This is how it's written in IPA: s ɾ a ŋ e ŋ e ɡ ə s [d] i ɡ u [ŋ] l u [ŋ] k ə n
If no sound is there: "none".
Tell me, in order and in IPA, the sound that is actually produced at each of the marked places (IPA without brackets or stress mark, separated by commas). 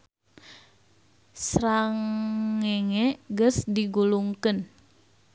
d, none, ŋ